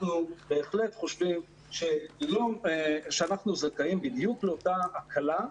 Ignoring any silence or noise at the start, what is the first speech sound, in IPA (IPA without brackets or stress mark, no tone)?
n